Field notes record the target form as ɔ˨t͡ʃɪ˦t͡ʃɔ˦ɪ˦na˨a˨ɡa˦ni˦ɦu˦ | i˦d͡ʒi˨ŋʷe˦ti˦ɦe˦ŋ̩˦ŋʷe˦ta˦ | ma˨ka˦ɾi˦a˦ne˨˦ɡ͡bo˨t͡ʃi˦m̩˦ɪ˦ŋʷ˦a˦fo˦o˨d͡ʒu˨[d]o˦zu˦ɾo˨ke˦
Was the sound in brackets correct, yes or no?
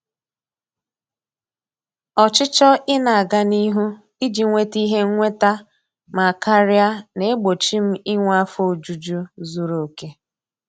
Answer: no